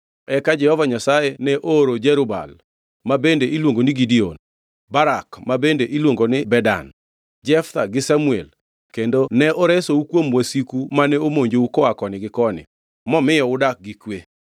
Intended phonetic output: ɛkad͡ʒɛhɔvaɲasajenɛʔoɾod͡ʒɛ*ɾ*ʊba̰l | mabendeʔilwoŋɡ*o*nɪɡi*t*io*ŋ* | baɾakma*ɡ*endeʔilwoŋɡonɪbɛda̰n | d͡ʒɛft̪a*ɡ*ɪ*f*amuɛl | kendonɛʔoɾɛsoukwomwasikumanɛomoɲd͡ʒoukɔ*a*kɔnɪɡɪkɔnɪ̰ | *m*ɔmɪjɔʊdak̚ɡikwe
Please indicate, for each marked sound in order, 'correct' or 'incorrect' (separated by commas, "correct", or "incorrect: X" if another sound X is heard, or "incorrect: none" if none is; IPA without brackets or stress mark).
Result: correct, correct, incorrect: d, incorrect: n, incorrect: b, correct, incorrect: s, correct, correct